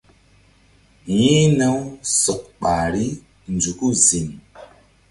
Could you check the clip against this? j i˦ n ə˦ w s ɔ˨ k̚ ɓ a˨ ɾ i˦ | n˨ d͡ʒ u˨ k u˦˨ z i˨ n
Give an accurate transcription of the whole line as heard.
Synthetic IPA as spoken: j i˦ n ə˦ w s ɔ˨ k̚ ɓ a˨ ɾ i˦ | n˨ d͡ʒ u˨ k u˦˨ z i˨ n